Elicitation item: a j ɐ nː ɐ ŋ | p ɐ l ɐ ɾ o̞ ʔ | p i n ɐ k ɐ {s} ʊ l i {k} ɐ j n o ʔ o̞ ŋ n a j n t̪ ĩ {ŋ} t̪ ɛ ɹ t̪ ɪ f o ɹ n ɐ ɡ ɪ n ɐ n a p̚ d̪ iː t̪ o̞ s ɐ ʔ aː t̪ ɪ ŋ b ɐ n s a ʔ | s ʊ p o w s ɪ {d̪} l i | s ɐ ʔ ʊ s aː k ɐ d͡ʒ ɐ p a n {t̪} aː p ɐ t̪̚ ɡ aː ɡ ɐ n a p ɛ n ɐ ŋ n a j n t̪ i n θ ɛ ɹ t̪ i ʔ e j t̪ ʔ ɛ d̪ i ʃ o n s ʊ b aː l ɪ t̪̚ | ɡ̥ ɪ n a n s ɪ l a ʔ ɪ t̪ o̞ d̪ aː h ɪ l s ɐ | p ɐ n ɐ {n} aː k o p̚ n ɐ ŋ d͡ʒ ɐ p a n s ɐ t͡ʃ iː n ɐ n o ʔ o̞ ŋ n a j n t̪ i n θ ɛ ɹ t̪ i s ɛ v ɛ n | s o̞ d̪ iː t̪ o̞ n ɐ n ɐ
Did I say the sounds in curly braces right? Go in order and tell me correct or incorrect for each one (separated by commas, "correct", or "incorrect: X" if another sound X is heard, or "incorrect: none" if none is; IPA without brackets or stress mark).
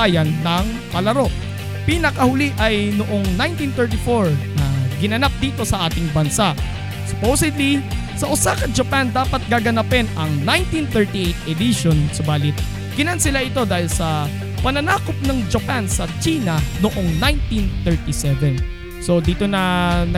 incorrect: h, incorrect: ʔ, incorrect: n, correct, incorrect: d̪, correct